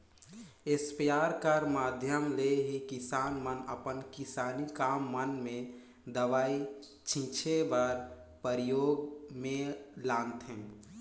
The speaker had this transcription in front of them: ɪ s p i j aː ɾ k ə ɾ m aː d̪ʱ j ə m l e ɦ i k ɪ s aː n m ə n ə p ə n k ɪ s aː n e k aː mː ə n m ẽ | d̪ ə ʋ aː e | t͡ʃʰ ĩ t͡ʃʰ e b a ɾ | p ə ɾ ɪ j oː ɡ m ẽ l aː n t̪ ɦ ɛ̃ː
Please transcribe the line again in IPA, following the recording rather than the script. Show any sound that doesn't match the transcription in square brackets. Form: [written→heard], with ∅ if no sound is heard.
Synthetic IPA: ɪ s p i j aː ɾ k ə ɾ m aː d̪ʱ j ə m l e ɦ i k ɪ s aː n m ə n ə p ə n k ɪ s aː n [e→i] k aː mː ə n m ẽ | d̪ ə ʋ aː [e→i] | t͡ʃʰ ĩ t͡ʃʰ e b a ɾ | p ə ɾ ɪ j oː ɡ m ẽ l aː n t̪ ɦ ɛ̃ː